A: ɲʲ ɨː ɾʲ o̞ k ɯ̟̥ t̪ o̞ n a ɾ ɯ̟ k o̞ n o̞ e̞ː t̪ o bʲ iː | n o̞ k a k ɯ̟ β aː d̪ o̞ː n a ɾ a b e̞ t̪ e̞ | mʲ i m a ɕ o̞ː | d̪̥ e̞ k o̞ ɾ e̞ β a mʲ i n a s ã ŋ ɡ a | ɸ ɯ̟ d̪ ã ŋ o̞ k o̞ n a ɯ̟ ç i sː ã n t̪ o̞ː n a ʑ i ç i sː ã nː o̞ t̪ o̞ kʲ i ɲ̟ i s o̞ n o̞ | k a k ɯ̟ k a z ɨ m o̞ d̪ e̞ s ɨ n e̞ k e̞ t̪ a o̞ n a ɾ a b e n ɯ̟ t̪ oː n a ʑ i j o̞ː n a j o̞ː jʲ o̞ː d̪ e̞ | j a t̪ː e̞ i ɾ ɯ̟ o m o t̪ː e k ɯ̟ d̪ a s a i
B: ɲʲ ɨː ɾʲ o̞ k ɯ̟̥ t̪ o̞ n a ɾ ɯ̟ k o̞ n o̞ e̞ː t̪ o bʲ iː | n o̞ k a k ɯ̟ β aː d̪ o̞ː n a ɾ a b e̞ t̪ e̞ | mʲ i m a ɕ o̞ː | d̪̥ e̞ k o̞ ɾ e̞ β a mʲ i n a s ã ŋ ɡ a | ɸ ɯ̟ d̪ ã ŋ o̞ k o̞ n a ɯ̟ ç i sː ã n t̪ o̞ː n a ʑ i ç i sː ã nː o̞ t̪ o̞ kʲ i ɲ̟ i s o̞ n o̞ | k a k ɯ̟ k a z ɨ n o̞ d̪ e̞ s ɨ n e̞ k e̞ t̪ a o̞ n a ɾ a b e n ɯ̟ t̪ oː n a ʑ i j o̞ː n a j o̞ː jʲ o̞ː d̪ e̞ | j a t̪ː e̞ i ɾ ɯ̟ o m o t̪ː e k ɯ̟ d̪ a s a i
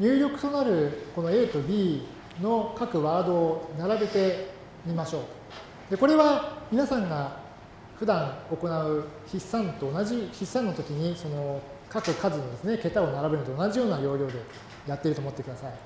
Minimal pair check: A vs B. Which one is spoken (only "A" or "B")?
B